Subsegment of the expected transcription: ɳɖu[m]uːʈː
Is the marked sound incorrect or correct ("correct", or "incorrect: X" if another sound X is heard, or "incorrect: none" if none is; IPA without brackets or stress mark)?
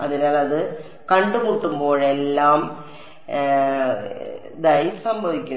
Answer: correct